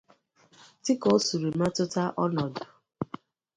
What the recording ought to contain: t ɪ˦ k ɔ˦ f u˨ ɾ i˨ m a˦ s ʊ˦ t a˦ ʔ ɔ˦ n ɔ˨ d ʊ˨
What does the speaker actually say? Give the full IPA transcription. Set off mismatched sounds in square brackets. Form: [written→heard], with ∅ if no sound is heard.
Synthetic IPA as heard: t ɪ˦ k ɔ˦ [f→s] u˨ ɾ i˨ m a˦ [s→t] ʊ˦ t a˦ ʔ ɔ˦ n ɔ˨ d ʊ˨